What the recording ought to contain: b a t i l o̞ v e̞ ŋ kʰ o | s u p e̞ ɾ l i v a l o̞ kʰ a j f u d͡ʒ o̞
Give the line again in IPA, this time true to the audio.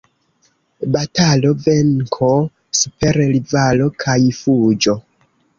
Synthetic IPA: b a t a l o̞ v e̞ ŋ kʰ o | s u p e̞ ɾ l i v a l o̞ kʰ a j f u d͡ʒ o̞